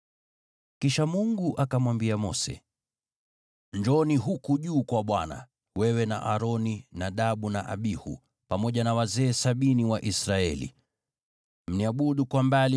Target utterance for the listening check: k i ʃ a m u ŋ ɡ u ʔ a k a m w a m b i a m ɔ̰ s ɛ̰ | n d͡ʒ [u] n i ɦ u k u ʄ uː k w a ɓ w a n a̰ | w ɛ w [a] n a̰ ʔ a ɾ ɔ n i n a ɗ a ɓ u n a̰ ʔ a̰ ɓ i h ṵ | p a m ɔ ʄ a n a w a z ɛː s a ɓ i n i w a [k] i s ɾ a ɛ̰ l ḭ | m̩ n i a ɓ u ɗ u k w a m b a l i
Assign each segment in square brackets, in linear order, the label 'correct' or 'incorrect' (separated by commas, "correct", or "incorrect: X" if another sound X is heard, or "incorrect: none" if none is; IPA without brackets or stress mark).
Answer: incorrect: ɔ, incorrect: ɛ, incorrect: ʔ